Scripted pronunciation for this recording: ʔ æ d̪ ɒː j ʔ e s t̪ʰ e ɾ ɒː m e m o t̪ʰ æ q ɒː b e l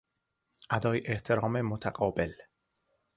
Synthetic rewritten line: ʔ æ d̪ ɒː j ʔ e h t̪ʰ e ɾ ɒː m e m o t̪ʰ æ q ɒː b e l